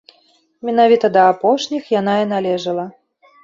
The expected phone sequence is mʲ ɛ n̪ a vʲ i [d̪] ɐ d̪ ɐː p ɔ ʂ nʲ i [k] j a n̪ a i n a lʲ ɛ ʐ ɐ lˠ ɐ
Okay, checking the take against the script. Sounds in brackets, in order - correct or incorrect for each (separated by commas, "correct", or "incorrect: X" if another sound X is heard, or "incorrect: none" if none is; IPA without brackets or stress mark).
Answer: incorrect: t̪, incorrect: x